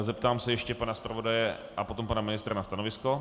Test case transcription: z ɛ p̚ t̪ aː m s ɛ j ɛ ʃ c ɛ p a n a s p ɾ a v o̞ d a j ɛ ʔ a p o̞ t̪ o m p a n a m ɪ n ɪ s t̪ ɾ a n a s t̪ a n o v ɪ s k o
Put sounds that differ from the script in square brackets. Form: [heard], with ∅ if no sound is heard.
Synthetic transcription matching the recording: z ɛ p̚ t̪ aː m s ɛ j ɛ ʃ c ɛ p a n a s p ɾ a v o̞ d a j ɛ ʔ a p o̞ t̪ o m p a n a m ɪ n ɪ s t̪ ɾ a n a s t̪ a n o v ɪ s k o